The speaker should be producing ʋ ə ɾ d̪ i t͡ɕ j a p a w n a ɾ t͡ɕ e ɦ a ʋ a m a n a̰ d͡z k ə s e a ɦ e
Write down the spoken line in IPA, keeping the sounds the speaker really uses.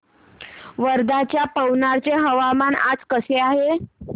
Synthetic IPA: ʋ ə ɾ d̪ a t͡ɕ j a p ə w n a ɾ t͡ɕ e ɦ ə ʋ a m a n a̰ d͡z k ə s e a ɦ e